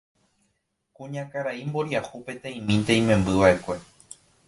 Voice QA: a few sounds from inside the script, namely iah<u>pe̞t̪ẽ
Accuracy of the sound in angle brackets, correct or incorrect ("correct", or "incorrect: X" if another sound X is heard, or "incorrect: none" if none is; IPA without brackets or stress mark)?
correct